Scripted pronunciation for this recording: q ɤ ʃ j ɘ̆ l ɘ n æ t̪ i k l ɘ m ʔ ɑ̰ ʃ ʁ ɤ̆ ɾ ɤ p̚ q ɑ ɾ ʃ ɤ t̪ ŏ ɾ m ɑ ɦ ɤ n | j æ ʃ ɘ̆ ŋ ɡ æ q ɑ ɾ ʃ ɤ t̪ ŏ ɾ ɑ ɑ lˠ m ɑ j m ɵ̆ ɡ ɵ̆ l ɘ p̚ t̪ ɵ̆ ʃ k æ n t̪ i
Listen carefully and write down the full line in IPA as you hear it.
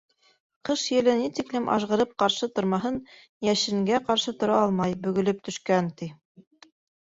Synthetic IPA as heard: q ɤ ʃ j ɘ̆ l ɘ n i t̪ i k l ɘ m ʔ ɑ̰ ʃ ʁ ɤ̆ ɾ ɤ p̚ q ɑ ɾ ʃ ɤ t̪ ŏ ɾ m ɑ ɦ ɤ n | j æ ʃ ɘ̆ ŋ ɡ æ q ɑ ɾ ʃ ɤ t̪ ŏ ɾ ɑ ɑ lˠ m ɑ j b ɵ̆ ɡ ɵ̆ l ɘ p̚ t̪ ɵ̆ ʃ k æ n t̪ i